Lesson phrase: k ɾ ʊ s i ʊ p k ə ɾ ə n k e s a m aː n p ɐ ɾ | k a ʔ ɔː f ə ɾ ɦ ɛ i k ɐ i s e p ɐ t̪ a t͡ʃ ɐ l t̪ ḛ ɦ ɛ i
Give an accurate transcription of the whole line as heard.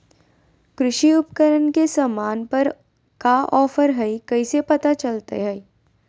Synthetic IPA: k ɾ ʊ ʃ i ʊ p k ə ɾ ə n k e s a m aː n p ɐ ɾ | k a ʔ ɔː f ə ɾ ɦ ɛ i k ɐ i s e p ɐ t̪ a t͡ʃ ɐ l t̪ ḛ ɦ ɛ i